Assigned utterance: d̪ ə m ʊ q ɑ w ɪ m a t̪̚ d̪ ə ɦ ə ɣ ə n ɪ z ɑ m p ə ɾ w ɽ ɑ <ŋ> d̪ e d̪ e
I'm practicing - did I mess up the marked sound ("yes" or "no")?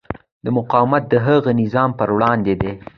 yes